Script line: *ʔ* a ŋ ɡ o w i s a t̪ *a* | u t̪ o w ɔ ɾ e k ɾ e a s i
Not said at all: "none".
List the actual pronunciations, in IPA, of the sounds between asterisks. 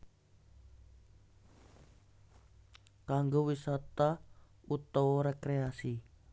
k, a

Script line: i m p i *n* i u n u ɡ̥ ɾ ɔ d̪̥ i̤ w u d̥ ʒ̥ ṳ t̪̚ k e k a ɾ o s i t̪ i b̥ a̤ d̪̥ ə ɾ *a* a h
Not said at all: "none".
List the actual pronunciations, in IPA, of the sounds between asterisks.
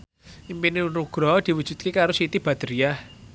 n, i

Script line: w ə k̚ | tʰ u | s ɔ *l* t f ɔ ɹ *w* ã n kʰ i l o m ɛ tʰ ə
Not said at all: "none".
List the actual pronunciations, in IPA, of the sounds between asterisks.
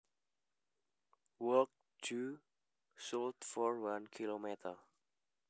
l, w

